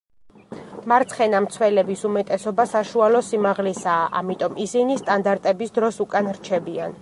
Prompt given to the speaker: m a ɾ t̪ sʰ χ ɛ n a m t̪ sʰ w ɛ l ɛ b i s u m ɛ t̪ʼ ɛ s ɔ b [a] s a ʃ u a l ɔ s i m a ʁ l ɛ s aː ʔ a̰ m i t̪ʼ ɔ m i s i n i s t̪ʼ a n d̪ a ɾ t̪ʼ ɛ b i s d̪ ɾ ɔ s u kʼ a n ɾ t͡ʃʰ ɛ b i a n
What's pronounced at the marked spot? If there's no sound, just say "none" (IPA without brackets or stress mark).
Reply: a